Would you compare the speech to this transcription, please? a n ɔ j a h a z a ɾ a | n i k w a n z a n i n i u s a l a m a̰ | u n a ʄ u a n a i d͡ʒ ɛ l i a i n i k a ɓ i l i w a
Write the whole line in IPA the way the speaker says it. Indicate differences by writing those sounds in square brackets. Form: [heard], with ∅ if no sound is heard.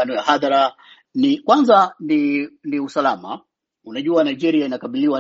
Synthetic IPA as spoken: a n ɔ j a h a [ð] a ɾ a | n i k w a n z a n i n i u s a l a m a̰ | u n a ʄ u a n a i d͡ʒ ɛ [ɾ] i a i n [a] k a ɓ i l i w a